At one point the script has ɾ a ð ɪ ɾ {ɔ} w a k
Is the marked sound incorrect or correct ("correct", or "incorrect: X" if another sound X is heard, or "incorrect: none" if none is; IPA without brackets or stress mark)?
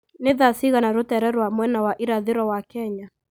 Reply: correct